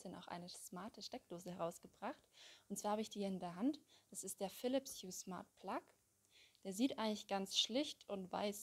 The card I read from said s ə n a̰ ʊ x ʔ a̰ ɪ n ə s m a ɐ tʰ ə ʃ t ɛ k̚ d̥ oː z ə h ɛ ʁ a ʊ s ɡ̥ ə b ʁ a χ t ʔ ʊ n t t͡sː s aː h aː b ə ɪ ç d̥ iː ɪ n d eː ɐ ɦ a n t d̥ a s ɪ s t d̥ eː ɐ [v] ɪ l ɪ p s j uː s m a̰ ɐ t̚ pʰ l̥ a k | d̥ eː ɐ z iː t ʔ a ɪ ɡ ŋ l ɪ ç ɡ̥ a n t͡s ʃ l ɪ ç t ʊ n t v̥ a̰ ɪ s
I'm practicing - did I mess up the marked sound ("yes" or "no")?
yes